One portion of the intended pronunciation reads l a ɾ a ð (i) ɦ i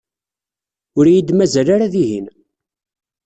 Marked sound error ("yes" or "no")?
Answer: no